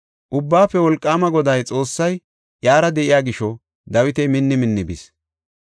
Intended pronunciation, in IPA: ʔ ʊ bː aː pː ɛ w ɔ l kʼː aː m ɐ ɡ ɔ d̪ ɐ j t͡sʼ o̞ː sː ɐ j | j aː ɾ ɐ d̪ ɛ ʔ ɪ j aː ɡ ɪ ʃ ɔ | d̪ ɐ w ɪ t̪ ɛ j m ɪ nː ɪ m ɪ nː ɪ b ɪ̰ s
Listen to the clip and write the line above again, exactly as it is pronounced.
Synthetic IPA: ʔ ʊ bː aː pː ɛ w ɔ l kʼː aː m ɐ ɡ ɔ d̪ ɐ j t͡sʼ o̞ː sː ɐ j | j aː ɾ ɐ d̪ ɛ ʔ ɪ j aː ɡ ɪ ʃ ɔ | d̪ ɐ w ɪ t̪ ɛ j m ɪ nː ɪ m ɪ nː ɪ b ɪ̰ s

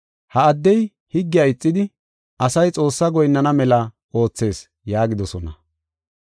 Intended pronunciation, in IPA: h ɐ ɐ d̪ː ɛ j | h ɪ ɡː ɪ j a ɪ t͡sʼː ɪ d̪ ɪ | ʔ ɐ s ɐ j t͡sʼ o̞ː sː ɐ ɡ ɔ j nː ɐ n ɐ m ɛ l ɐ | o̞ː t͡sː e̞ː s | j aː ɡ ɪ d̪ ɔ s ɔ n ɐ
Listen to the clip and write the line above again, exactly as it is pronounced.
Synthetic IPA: h ɐ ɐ d̪ː ɛ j | h ɪ ɡː ɪ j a ɪ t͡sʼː ɪ d̪ ɪ | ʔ ɐ s ɐ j t͡sʼ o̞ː sː ɐ ɡ ɔ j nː ɐ n ɐ m ɛ l ɐ | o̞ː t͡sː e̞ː s | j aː ɡ ɪ d̪ ɔ s ɔ n ɐ

